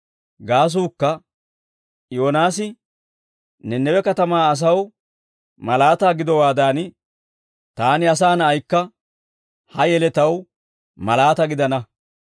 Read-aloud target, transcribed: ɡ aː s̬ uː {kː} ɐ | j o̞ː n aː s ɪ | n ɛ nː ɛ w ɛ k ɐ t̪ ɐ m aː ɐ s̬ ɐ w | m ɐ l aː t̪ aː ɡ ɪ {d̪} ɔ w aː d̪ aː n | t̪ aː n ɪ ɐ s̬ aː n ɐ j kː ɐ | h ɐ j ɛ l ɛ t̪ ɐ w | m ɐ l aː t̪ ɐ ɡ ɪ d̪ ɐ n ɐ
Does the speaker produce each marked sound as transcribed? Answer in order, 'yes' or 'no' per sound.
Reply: yes, yes

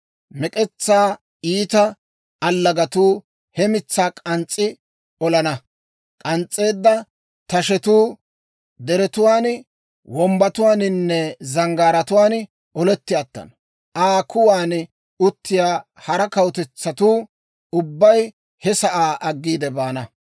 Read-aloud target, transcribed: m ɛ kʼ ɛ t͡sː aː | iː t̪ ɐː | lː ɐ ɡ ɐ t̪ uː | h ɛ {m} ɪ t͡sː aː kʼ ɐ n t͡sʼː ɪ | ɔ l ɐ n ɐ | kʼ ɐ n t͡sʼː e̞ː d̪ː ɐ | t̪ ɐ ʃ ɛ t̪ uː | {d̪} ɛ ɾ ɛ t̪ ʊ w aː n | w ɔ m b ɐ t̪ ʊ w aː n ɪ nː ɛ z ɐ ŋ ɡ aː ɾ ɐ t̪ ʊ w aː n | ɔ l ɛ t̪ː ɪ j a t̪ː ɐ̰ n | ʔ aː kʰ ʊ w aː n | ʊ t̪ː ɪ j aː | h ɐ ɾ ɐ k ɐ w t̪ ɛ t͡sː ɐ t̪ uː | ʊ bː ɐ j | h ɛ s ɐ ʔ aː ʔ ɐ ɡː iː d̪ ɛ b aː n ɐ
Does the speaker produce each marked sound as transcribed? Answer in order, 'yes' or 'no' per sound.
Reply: yes, yes

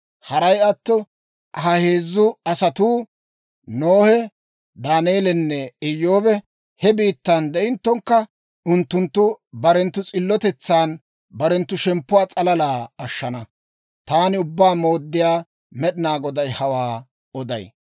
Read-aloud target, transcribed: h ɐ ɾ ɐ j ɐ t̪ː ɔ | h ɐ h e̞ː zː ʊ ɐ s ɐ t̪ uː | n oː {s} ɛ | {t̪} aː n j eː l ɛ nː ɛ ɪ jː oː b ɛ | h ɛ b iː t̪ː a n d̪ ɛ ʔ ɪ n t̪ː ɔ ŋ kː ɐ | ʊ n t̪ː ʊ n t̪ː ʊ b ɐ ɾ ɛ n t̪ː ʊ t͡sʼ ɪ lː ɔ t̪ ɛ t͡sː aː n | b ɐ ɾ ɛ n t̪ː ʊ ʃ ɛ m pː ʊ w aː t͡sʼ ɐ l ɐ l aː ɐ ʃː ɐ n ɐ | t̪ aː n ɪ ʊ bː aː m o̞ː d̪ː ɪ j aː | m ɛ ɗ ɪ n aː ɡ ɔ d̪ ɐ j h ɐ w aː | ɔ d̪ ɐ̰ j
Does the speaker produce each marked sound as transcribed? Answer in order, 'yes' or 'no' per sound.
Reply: no, no

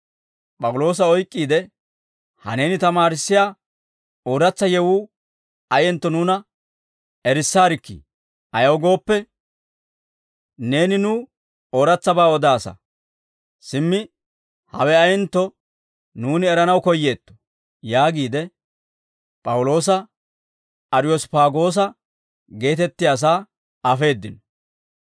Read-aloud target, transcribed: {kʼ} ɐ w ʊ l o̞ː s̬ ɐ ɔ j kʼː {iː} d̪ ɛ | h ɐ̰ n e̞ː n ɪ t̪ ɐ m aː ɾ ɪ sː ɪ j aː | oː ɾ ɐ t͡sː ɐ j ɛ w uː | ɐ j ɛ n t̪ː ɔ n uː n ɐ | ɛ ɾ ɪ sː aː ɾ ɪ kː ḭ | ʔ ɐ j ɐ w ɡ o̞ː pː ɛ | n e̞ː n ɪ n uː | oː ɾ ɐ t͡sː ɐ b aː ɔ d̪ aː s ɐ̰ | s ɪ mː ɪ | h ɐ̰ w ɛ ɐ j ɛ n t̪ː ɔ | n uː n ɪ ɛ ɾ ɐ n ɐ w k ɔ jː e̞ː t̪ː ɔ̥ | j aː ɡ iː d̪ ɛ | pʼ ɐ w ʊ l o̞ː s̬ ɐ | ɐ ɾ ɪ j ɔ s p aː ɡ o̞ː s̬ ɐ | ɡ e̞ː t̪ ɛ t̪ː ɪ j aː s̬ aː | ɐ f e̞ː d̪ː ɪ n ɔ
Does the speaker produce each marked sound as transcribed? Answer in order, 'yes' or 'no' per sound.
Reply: no, yes

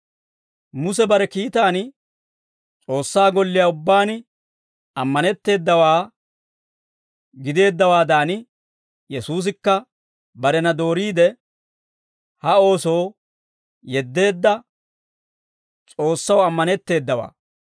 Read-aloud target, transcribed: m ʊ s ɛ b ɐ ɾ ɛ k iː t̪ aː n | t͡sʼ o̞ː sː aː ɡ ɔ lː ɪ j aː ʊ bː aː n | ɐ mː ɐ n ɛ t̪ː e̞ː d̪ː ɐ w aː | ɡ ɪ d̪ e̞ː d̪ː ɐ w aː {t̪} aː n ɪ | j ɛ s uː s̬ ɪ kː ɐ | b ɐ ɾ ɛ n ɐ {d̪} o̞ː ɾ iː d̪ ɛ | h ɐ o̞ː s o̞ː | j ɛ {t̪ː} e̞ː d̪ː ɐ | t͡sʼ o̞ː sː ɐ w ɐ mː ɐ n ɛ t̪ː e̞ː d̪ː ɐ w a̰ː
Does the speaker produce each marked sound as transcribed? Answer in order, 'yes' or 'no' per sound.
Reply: no, yes, no

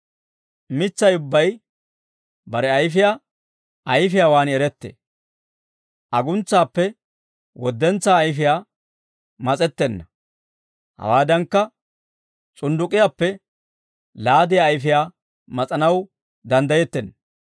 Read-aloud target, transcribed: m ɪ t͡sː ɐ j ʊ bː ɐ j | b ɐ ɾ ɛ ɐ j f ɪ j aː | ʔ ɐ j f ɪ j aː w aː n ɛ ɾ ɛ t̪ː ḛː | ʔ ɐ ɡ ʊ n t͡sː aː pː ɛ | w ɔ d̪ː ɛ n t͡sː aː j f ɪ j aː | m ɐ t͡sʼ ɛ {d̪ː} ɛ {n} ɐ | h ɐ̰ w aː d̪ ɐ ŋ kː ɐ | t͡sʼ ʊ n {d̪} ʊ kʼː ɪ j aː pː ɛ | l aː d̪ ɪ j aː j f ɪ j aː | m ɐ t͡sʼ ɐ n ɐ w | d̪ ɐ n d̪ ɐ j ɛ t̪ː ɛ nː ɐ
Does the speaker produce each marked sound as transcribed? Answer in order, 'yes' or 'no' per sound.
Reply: no, no, yes

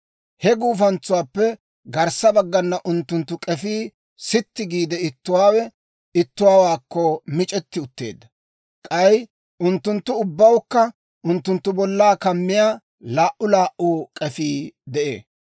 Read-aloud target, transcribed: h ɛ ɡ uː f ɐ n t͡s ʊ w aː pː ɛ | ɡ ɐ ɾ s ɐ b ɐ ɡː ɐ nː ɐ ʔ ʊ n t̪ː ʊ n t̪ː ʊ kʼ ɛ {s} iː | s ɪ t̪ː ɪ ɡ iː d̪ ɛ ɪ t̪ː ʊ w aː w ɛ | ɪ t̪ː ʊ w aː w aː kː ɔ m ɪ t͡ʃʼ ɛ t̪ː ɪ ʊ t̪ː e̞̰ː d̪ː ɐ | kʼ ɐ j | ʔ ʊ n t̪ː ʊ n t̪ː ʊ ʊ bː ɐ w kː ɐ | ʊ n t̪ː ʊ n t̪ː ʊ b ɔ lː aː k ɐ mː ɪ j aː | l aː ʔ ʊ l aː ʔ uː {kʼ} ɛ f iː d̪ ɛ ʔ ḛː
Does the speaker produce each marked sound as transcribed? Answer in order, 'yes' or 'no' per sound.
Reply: no, yes

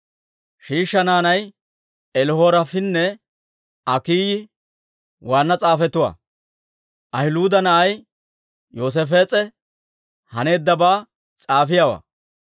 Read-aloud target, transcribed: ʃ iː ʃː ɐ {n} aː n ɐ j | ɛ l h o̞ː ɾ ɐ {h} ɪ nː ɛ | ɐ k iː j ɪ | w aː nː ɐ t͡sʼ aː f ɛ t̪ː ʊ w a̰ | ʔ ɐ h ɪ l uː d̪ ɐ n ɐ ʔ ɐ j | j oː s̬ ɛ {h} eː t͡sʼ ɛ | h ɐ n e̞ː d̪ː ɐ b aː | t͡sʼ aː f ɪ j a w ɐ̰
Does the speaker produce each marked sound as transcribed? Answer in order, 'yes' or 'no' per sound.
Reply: yes, no, no

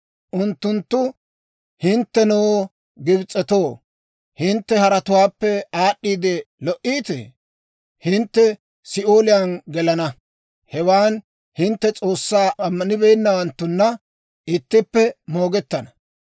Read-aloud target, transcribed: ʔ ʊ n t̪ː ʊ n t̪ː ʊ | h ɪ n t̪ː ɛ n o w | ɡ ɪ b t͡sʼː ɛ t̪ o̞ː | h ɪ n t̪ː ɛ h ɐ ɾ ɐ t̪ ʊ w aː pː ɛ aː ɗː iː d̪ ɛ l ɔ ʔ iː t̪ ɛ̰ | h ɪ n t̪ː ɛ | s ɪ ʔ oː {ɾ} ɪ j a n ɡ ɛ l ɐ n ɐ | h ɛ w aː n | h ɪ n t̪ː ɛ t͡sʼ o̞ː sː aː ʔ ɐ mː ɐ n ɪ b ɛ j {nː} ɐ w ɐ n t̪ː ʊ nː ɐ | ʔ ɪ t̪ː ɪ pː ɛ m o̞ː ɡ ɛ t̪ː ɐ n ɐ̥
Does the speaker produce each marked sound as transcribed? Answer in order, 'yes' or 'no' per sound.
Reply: no, yes

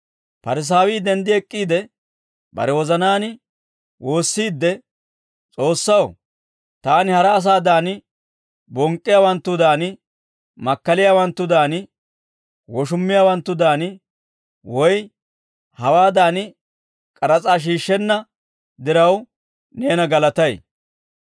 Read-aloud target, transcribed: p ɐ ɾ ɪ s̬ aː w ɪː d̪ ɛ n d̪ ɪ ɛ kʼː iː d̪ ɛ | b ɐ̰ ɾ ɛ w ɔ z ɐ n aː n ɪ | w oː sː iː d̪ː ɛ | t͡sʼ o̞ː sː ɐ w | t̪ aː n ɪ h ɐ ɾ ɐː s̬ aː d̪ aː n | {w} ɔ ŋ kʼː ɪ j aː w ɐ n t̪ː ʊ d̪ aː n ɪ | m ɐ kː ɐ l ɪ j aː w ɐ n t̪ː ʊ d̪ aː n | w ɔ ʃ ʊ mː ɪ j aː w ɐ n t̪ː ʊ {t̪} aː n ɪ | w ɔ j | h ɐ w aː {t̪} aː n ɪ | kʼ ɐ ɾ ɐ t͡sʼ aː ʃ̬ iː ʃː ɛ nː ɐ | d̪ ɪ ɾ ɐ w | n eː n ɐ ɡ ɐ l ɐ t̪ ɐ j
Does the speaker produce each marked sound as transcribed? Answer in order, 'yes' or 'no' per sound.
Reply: no, no, no

